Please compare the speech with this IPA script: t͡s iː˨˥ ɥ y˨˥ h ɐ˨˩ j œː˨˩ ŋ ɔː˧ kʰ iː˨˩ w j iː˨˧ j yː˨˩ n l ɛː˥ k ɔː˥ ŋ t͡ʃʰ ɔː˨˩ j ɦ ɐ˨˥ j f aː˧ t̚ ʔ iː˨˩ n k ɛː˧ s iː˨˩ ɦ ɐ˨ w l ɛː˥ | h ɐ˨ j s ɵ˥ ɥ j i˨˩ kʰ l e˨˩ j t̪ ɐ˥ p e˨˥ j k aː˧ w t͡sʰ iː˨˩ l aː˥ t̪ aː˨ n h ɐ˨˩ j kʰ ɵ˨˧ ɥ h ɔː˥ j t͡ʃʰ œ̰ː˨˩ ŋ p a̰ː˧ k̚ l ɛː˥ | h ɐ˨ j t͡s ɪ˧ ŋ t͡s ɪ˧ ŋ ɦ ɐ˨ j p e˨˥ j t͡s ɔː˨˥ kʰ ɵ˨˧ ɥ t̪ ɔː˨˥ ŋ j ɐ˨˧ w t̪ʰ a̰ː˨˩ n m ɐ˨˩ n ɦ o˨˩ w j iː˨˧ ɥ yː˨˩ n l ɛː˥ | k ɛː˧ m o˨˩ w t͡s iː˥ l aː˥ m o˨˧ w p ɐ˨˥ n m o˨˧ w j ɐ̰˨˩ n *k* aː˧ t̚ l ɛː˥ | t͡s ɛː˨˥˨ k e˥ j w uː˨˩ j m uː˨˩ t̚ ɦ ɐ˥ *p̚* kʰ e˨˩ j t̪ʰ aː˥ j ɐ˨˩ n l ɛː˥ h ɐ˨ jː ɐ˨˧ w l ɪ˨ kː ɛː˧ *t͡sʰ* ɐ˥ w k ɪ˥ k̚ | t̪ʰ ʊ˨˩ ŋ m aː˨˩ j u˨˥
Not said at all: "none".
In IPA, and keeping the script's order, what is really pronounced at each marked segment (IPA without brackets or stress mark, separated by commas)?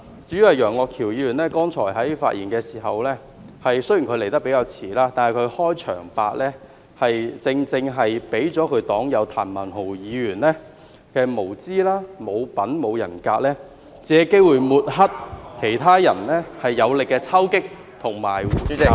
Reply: k, t̚, t͡sʰ